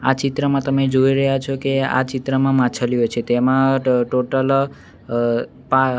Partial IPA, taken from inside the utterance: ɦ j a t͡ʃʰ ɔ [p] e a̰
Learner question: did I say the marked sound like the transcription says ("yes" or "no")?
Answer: no